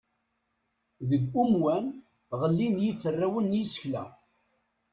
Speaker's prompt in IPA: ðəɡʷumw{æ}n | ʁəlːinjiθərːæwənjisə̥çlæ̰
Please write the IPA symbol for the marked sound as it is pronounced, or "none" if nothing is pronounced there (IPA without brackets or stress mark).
æ